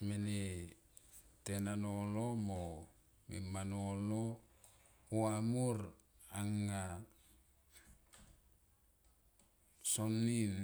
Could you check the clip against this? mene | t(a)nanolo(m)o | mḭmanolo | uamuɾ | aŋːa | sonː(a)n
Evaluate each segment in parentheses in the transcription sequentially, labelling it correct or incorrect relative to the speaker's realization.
incorrect: e, correct, incorrect: i

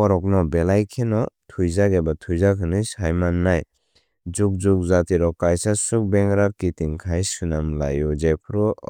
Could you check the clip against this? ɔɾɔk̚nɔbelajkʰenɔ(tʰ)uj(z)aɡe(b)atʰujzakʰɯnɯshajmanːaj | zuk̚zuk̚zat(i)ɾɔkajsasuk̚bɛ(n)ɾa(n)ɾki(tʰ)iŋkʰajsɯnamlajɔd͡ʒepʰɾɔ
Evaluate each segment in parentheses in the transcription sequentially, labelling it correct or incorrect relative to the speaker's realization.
correct, correct, correct, correct, incorrect: ŋ, incorrect: none, incorrect: t

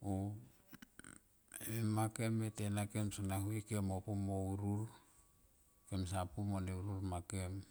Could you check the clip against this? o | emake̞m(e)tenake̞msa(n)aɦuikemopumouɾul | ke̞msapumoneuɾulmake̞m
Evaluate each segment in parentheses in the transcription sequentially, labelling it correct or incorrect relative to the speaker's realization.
correct, correct

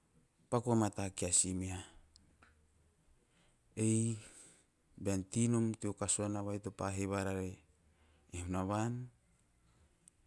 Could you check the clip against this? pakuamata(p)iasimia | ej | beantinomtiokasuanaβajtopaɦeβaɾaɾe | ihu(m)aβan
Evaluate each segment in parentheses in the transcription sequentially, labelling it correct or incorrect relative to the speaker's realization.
incorrect: k, incorrect: n

